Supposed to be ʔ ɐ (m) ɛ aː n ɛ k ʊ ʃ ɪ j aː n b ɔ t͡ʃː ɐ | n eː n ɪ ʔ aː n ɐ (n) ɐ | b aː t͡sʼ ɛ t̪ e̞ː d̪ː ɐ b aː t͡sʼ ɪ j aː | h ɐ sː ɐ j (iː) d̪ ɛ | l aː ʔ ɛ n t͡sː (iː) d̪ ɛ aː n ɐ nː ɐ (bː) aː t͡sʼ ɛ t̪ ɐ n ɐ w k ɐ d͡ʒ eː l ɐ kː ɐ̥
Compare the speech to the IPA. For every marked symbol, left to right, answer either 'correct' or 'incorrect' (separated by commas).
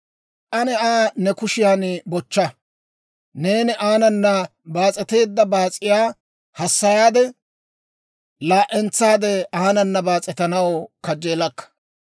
incorrect, incorrect, incorrect, incorrect, incorrect